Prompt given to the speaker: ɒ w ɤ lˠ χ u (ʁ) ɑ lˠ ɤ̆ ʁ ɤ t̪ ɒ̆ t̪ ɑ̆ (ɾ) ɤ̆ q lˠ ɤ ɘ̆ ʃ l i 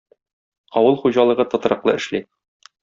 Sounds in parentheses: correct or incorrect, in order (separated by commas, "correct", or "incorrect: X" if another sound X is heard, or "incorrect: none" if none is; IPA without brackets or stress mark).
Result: incorrect: ʑ, correct